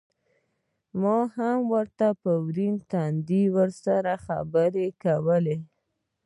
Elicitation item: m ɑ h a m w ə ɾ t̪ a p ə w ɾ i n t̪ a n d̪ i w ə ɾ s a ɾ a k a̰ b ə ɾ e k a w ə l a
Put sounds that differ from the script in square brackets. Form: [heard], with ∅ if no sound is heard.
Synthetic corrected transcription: m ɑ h a m w ə ɾ t̪ a p ə w ɾ i n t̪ a n d̪ i w ə ɾ s a ɾ a [x] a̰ b ə ɾ e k a w ə l [e]